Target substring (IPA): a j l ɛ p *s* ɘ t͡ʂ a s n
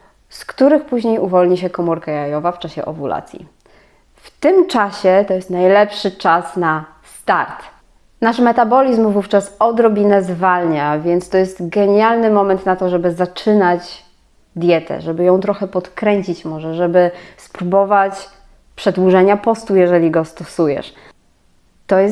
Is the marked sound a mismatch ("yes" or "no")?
yes